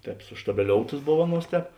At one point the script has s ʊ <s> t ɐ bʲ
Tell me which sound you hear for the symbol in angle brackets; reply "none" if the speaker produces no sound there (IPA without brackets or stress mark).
ʃ